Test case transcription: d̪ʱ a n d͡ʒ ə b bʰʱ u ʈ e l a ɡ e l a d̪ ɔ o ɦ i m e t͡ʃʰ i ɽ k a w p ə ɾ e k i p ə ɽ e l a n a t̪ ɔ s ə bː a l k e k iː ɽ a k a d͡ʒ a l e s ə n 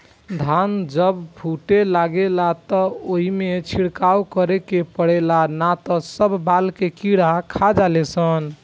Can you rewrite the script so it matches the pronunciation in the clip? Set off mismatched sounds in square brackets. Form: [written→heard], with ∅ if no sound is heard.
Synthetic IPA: d̪ʱ a n d͡ʒ ə b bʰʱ u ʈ e l a ɡ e l a [d̪→t̪] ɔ o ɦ i m e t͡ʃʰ i ɽ k a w [p→k] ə ɾ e k [i→e] p ə ɽ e l a n a t̪ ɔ s ə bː a l k e k [iː→i] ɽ a [k→kʰ] a d͡ʒ a l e s ə n